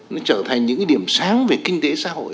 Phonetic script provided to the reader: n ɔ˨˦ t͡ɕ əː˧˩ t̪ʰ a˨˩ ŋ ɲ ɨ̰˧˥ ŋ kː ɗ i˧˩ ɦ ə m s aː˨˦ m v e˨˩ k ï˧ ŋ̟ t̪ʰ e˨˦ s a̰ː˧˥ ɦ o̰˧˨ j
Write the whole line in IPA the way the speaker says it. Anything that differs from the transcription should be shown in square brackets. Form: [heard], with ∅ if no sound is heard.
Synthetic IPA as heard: n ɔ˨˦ t͡ɕ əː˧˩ t̪ʰ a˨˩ ŋ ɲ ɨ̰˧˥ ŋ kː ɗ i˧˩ [∅] ə m s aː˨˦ [ŋ] v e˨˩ k ï˧ ŋ̟ [t̪] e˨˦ s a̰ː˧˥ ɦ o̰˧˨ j